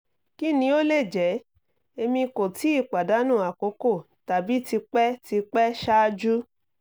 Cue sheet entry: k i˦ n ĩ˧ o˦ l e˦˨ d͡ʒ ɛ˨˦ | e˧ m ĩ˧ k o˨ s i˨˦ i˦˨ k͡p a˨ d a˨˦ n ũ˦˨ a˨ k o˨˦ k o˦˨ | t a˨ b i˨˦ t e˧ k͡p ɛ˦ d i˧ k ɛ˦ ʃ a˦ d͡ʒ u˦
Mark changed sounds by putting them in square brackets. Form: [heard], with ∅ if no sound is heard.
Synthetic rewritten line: k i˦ n ĩ˧ o˦ l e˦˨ d͡ʒ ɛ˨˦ | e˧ m ĩ˧ k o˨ [t] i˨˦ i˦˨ k͡p a˨ d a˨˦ n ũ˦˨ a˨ k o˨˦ k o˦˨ | t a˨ b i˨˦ t [i˧] k͡p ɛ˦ [t] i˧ [k͡p] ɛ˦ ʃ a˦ d͡ʒ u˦